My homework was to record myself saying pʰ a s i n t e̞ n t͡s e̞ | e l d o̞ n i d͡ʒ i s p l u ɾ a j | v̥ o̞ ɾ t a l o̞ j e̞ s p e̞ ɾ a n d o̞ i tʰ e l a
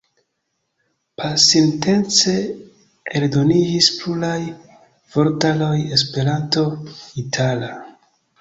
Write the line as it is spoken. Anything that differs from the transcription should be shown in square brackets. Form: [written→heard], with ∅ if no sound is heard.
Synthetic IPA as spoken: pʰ a s i n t e̞ n t͡s e̞ | e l d o̞ n i d͡ʒ i s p l u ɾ a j | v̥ o̞ ɾ t a l o̞ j e̞ s p e̞ ɾ a n [d→t] o̞ i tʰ [e→a] l a